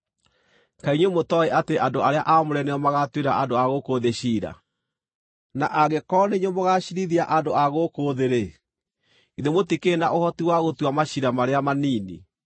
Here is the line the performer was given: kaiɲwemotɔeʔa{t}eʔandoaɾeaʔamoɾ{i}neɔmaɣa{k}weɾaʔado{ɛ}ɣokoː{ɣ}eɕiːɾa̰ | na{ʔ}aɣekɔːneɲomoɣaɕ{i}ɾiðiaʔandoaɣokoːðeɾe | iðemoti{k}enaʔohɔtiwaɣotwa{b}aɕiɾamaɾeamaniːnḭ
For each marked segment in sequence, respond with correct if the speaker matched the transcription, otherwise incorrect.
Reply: correct, incorrect, incorrect, incorrect, incorrect, correct, correct, correct, incorrect

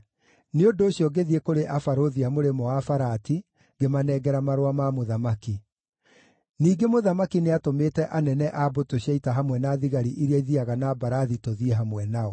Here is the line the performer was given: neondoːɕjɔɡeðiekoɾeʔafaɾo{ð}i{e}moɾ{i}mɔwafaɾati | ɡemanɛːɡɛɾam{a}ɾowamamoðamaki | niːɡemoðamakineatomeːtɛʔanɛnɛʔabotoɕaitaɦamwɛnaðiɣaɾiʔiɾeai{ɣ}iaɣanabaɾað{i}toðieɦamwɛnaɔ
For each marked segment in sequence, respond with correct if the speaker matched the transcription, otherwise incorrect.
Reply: correct, incorrect, incorrect, correct, incorrect, correct

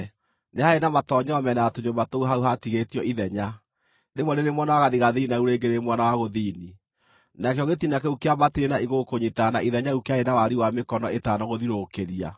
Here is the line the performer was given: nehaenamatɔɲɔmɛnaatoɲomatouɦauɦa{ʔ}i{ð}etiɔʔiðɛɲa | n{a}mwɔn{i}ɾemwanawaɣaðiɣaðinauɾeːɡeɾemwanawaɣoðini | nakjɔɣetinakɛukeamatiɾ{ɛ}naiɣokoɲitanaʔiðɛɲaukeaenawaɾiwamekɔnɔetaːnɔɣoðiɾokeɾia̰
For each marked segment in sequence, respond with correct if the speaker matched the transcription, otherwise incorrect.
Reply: incorrect, incorrect, incorrect, incorrect, incorrect

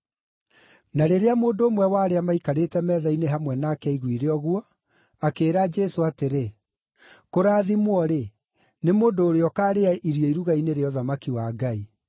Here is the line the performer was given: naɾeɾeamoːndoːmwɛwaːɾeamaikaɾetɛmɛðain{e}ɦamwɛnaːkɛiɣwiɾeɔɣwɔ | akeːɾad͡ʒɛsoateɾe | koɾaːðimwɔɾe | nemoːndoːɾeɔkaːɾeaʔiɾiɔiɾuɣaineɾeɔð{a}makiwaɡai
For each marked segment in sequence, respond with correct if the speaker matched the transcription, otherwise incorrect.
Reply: correct, correct

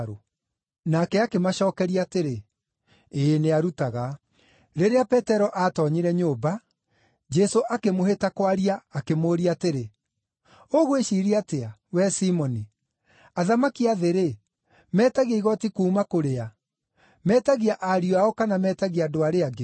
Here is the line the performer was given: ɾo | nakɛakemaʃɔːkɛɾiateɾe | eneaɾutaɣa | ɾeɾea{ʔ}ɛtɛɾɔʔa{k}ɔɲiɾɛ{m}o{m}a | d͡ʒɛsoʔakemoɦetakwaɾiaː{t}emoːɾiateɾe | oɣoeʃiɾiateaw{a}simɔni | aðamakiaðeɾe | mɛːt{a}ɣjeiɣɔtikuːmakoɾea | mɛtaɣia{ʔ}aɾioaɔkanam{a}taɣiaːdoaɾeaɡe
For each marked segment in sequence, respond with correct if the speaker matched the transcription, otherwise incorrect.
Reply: incorrect, incorrect, incorrect, incorrect, incorrect, incorrect, correct, correct, incorrect

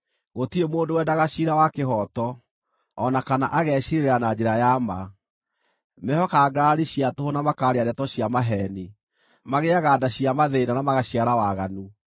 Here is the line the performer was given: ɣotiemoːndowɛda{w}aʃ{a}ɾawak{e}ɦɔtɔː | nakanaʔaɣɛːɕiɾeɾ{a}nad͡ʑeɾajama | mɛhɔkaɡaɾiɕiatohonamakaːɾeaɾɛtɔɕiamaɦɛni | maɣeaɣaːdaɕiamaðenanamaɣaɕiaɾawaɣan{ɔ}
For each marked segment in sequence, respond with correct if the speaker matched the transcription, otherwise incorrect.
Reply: incorrect, incorrect, correct, correct, incorrect

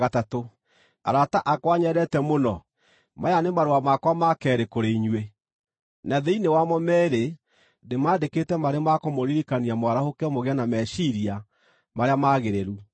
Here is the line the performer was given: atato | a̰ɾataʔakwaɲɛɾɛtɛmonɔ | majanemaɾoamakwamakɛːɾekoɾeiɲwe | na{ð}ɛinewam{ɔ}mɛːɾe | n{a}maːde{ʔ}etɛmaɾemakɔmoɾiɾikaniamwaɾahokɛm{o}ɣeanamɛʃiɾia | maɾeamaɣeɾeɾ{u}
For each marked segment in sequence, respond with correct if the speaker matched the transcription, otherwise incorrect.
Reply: correct, correct, incorrect, incorrect, correct, correct

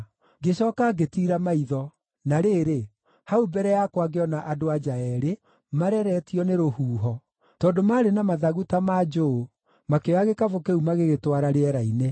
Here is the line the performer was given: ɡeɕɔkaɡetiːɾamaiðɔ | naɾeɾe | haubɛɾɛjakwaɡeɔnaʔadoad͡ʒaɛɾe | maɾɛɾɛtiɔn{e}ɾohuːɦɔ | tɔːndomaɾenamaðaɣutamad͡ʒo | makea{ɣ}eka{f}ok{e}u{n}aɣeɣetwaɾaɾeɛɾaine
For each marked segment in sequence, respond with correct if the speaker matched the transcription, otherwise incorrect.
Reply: correct, correct, incorrect, correct, incorrect

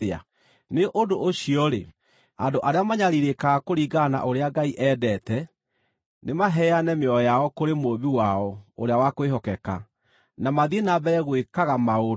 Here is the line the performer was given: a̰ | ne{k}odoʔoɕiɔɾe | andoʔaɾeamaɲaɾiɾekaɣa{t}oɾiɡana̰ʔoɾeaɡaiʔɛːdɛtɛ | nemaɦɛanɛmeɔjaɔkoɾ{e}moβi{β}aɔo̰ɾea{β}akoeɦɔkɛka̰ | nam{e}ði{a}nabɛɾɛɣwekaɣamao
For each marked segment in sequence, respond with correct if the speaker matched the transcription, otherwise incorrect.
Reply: incorrect, incorrect, correct, incorrect, incorrect, incorrect, incorrect

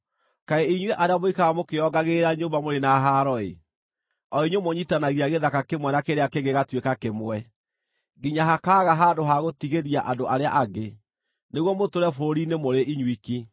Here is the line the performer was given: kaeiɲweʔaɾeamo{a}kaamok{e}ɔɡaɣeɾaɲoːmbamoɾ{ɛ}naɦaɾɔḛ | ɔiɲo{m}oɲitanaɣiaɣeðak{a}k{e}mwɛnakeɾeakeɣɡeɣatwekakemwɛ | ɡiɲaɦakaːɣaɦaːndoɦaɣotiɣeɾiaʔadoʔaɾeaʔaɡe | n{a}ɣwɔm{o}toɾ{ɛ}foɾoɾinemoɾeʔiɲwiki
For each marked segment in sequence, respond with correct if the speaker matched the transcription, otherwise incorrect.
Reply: incorrect, correct, incorrect, correct, correct, correct, incorrect, correct, correct

